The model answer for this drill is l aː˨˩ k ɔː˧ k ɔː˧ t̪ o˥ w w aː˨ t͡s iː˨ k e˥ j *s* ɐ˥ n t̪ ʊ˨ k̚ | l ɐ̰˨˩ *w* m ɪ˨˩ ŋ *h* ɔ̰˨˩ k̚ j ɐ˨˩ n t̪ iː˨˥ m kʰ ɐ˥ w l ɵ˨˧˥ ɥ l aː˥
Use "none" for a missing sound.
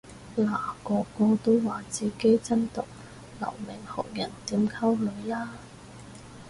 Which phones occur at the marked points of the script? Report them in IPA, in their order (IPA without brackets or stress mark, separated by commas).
t͡s, w, h